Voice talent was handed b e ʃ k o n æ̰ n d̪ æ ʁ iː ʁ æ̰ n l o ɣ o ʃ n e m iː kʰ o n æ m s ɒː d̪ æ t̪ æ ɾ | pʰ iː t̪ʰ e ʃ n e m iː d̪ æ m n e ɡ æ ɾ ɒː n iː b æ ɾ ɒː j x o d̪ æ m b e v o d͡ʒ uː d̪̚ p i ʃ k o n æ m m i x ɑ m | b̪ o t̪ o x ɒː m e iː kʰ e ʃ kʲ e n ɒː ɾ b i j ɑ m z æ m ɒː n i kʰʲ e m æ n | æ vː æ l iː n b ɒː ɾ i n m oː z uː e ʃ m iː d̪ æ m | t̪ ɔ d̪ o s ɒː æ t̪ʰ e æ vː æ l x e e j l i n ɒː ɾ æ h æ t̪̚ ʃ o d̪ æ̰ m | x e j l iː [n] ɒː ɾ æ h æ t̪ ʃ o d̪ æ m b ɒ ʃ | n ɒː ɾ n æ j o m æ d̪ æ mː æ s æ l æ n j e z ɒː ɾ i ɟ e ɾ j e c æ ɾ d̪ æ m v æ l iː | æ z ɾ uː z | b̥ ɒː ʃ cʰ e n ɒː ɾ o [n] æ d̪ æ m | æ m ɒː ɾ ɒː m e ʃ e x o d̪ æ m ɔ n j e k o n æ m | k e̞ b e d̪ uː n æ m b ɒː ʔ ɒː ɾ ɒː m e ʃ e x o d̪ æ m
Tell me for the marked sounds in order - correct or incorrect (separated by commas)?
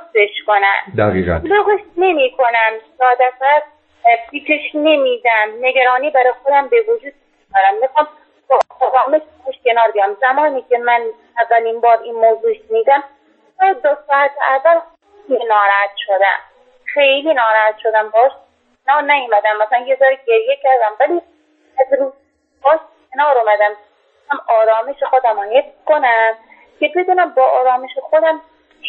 correct, incorrect